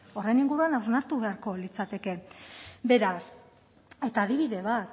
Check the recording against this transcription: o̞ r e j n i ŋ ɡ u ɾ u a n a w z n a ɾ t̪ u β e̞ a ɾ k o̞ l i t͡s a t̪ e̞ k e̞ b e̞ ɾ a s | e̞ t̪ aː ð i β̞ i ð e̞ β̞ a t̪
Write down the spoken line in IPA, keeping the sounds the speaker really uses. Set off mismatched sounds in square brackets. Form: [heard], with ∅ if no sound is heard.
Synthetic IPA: o̞ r e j n i ŋ ɡ u ɾ u a n a w z n a ɾ t̪ u β e̞ a ɾ k o̞ l i t͡s a t̪ e̞ k e̞ b e̞ ɾ a s | e̞ t̪ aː ð i β̞ i ð e̞ β̞ a t̪